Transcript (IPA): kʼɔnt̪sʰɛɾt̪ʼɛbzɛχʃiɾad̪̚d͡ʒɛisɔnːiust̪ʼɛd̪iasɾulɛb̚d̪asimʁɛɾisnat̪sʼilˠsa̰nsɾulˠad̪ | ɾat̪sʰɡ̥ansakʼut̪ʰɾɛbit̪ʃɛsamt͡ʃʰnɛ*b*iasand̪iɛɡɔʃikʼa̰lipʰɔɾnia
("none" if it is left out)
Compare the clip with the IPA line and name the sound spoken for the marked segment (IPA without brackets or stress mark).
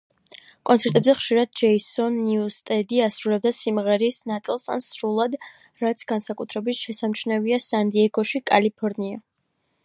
v